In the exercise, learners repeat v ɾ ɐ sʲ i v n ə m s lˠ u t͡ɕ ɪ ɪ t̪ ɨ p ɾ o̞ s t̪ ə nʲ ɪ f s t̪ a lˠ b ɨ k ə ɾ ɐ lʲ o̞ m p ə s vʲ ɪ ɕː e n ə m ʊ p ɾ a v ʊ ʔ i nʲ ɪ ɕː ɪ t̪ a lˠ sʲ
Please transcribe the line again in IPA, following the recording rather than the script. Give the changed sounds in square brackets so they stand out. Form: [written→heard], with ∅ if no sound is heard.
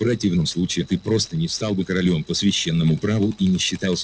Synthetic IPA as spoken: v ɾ ɐ [sʲ→tʲ] i v n ə m s lˠ u t͡ɕ ɪ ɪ t̪ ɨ p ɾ o̞ s t̪ ə nʲ ɪ f s t̪ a lˠ b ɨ k ə ɾ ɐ lʲ o̞ m p ə s vʲ ɪ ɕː e [n→nː] ə m ʊ p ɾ a v ʊ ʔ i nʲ ɪ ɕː ɪ t̪ a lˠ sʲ

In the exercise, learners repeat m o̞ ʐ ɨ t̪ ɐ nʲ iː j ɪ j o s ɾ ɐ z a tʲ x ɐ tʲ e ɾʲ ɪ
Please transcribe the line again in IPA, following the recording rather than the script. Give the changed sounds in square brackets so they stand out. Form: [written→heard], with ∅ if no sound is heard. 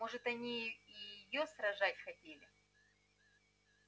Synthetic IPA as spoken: m o̞ ʐ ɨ t̪ ɐ nʲ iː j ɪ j o s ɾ ɐ [z→ʐ] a tʲ x ɐ tʲ e [ɾʲ→lʲ] ɪ

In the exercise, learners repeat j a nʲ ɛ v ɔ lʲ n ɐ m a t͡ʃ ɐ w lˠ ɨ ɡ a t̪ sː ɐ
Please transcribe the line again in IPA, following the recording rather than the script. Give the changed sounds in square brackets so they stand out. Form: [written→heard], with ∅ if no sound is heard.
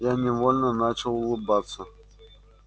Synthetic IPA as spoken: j a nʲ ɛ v ɔ lʲ n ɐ [m→n] a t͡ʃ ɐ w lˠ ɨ [ɡ→b] a t̪ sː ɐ

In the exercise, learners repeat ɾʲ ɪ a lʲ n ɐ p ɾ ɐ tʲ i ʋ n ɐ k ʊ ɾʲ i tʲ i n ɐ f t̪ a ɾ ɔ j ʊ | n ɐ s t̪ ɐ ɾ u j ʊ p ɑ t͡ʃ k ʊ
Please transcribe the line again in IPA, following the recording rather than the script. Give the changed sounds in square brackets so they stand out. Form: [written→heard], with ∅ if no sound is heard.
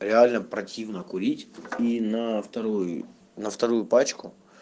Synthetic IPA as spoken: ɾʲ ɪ a lʲ n ɐ p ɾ ɐ tʲ i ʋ n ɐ k ʊ ɾʲ i tʲ i n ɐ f t̪ [a→ɐ] ɾ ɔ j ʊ | n ɐ [s→f] t̪ ɐ ɾ u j ʊ p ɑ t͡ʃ k ʊ

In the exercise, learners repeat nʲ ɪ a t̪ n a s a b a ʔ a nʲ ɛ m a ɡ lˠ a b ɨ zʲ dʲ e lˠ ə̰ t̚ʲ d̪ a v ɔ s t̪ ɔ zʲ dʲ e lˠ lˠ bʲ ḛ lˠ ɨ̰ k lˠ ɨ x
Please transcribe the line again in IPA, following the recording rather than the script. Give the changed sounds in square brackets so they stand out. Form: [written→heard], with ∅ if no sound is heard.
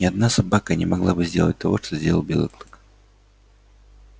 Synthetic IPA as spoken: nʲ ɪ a [t̪→d̪] n a s a b a [ʔ→k] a nʲ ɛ m a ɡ lˠ a b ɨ zʲ dʲ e lˠ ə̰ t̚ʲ [d̪→t̪] a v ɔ [s→ʂ] t̪ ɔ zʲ dʲ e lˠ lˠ bʲ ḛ lˠ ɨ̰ k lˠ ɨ [x→k]

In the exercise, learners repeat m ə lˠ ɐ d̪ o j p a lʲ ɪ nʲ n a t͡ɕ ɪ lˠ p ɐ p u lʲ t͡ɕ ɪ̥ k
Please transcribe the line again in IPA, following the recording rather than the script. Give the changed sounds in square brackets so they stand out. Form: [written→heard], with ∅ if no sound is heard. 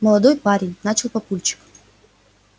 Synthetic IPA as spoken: m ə lˠ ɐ d̪ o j p a [lʲ→ɾʲ] ɪ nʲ n a t͡ɕ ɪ lˠ p ɐ p u lʲ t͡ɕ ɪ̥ k

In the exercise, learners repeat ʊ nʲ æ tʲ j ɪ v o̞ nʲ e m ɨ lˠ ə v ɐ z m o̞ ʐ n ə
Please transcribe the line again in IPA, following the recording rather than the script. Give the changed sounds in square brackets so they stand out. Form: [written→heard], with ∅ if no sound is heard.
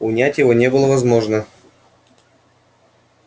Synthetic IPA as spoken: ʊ nʲ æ tʲ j ɪ v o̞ nʲ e [m→b] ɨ lˠ ə v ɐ z m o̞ ʐ n ə

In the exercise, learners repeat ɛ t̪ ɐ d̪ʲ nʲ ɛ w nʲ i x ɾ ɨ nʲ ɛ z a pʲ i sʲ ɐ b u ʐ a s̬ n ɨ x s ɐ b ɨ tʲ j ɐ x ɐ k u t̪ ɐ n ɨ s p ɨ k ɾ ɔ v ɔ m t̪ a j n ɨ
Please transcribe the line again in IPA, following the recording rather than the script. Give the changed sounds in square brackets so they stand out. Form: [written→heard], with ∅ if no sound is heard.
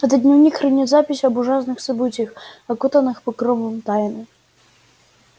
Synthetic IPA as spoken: ɛ t̪ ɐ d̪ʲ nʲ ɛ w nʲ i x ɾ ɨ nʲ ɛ z a pʲ i sʲ ɐ b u ʐ a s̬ n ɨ x s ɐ b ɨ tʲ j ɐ x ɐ k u t̪ ɐ n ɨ [s→x] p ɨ k ɾ ɔ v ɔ m t̪ a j n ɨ

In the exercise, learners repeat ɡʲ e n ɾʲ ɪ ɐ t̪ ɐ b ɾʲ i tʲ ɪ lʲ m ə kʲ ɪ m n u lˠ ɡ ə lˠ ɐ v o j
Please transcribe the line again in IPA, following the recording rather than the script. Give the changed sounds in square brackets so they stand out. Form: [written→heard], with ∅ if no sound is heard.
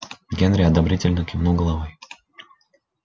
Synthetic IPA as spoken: ɡʲ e n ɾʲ ɪ ɐ [t̪→d̪] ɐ b ɾʲ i tʲ ɪ lʲ [m→n] ə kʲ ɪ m n u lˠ ɡ ə lˠ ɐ v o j

